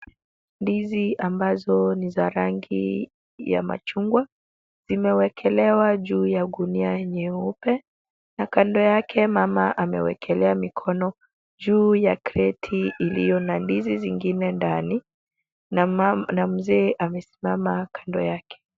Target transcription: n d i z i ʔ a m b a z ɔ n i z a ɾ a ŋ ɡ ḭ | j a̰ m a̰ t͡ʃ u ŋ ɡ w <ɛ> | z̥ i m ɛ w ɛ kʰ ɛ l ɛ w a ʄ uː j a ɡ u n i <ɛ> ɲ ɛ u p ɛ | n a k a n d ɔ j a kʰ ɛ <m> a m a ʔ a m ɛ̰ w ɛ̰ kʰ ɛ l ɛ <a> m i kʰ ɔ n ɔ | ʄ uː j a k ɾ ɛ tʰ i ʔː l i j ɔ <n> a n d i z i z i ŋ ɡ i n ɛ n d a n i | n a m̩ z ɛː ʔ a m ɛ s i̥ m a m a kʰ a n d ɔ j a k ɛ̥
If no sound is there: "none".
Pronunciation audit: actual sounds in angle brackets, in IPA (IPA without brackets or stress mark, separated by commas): a, a, m, a, n